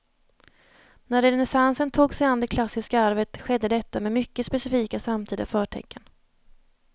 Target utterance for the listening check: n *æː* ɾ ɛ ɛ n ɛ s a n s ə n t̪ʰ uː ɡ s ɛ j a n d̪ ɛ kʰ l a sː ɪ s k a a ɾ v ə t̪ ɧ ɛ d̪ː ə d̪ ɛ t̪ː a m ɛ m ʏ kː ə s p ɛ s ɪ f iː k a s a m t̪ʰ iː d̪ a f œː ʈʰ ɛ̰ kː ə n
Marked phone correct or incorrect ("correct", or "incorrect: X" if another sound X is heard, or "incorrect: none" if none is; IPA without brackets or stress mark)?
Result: incorrect: æ